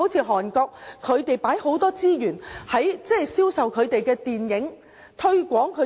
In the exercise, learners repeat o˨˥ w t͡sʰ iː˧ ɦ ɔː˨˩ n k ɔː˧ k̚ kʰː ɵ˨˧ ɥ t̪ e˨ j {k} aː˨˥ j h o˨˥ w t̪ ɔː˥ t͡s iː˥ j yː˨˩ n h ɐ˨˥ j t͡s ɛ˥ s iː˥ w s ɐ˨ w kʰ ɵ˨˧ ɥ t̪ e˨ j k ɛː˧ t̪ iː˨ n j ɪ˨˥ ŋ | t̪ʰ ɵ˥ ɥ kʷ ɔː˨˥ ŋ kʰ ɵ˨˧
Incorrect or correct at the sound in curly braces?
incorrect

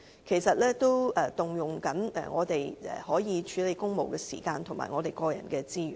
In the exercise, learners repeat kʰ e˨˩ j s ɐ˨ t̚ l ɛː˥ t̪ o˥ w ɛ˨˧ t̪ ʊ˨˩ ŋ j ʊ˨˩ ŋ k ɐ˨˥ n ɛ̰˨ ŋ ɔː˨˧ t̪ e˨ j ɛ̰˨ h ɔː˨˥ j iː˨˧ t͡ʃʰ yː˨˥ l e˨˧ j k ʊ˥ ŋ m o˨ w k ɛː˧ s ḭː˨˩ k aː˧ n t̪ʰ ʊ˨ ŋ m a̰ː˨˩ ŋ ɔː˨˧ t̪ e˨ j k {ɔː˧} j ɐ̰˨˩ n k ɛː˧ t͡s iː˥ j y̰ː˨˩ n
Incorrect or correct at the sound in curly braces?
correct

